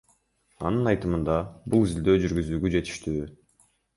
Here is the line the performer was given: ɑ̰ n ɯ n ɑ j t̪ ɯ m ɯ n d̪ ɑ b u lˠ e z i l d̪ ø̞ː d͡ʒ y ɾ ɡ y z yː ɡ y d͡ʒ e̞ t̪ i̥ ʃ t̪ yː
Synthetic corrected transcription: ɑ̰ n ɯ n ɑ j t̪ ɯ m ɯ n d̪ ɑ b u lˠ i z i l d̪ ø̞ː d͡ʒ y ɾ ɡ y z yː ɡ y d͡ʒ e̞ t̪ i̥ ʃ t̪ yː

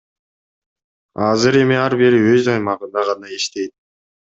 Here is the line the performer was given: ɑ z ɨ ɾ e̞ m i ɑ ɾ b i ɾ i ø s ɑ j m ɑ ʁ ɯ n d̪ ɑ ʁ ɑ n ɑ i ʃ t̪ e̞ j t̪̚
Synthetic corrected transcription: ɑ z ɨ ɾ e̞ m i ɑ ɾ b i ɾ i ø z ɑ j m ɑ ʁ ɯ n d̪ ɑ ʁ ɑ n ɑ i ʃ t̪ e̞ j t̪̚

